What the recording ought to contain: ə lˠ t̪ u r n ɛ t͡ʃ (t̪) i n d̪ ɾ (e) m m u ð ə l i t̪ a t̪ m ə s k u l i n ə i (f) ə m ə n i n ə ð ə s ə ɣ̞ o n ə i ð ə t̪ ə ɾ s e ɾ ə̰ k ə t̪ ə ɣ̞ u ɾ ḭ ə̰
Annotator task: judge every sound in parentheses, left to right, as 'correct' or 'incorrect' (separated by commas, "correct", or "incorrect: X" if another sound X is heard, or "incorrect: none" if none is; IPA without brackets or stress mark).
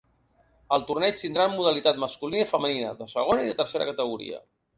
correct, incorrect: a, correct